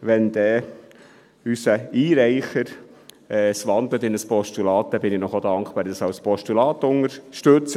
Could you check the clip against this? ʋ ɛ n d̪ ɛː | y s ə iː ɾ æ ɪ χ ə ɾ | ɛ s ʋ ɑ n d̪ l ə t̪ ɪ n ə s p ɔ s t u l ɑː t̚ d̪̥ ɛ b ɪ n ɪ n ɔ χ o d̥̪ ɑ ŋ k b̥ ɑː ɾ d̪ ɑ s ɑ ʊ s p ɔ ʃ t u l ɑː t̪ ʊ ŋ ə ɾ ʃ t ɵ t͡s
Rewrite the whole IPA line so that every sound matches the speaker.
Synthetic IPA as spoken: ʋ ɛ n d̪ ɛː | y s ə iː ɾ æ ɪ χ ə ɾ | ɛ s ʋ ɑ n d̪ l ə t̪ ɪ n ə s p ɔ ʃ t u l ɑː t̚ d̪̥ ɛ b ɪ n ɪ n ɔ χ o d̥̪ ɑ ŋ k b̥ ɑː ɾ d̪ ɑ s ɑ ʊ s p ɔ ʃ t u l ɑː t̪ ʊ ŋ ə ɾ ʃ t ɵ t͡s